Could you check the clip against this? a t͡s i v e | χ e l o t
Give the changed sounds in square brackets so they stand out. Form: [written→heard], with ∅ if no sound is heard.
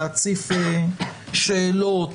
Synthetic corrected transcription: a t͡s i [v→f] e | [χ→ʃ] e l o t